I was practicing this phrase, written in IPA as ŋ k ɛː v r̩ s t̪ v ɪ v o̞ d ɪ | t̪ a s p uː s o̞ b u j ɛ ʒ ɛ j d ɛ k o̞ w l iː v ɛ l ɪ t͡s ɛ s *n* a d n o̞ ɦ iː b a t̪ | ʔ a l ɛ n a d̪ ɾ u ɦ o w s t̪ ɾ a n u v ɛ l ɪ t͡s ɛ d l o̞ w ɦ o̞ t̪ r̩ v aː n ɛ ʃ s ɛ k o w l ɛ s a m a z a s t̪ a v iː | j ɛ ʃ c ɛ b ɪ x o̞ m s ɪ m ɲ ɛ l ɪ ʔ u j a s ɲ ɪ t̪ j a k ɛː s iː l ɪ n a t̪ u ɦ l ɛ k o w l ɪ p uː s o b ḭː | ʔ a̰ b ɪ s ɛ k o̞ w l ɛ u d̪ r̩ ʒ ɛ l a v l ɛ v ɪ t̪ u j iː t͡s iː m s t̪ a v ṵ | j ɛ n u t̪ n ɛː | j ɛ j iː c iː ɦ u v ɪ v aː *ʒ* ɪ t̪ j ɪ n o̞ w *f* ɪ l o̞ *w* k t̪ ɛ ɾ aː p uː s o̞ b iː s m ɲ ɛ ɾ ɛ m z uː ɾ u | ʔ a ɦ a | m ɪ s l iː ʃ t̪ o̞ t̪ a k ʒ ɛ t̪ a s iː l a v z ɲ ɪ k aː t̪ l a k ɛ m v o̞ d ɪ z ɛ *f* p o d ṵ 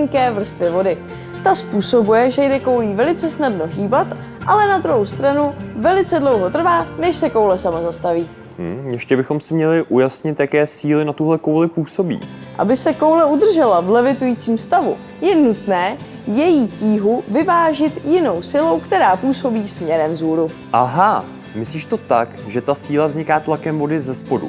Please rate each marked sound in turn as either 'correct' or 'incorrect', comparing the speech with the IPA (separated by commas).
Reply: correct, correct, incorrect, correct, incorrect